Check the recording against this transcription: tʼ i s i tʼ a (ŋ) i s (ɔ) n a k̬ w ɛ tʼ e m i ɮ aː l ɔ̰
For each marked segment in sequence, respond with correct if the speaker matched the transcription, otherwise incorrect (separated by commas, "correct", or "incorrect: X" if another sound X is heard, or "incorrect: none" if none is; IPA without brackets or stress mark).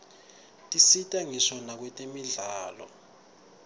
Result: correct, correct